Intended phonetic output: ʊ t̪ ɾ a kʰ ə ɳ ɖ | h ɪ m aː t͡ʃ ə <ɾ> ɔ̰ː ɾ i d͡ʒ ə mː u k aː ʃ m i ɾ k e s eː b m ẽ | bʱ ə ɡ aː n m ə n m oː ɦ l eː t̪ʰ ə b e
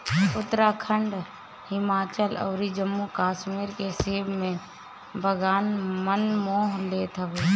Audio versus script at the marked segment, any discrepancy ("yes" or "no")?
yes